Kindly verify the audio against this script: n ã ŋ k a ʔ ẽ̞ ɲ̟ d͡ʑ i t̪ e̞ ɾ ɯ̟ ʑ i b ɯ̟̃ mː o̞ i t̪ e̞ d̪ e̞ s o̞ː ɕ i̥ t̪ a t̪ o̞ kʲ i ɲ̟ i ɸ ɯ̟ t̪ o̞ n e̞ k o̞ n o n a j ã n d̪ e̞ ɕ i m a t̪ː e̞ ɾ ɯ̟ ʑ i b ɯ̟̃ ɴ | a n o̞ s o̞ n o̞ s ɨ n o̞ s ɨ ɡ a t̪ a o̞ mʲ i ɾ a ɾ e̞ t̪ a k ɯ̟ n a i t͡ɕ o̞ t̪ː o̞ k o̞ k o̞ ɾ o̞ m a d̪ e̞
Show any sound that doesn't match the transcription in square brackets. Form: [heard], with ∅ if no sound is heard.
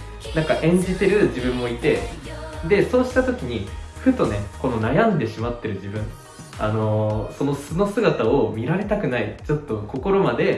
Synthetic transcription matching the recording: n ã ŋ k a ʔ ẽ̞ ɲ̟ d͡ʑ i t̪ e̞ ɾ ɯ̟ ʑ i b ɯ̟̃ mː o̞ i t̪ e̞ d̪ e̞ s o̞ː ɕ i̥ t̪ a t̪ o̞ kʲ i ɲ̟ i ɸ ɯ̟ t̪ o̞ n e̞ k o̞ n o n a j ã n d̪ e̞ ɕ i m a t̪ː e̞ ɾ ɯ̟ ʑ i b ɯ̟̃ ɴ | a n o̞ s o̞ n o̞ s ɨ n o̞ s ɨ ɡ a t̪ a o̞ mʲ i ɾ a ɾ e̞ t̪ a k ɯ̟ n a i t͡ɕ o̞ t̪ː o̞ k o̞ k o̞ ɾ o̞ m a d̪ e̞

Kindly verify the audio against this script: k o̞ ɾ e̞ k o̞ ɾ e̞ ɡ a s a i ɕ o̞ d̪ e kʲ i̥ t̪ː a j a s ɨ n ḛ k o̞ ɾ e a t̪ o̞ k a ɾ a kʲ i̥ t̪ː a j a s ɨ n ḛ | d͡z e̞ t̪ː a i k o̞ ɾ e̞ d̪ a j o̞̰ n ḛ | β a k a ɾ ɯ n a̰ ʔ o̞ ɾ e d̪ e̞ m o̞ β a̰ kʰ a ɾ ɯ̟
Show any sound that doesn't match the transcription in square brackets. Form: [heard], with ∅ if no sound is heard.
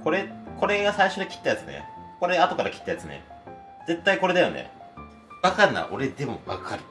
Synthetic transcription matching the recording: k o̞ ɾ e̞ k o̞ ɾ e̞ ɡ a s a i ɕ o̞ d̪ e kʲ i̥ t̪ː a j a [t͡s] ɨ n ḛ k o̞ ɾ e a t̪ o̞ k a ɾ a kʲ i̥ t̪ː a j a [t͡s] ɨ n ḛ | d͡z e̞ t̪ː a i k o̞ ɾ e̞ d̪ a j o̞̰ n ḛ | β a k a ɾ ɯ n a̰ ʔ o̞ ɾ e d̪ e̞ m o̞ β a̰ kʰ a ɾ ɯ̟

